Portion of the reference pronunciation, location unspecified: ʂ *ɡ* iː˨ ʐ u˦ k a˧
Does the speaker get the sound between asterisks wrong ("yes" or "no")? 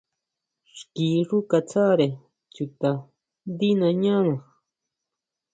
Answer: yes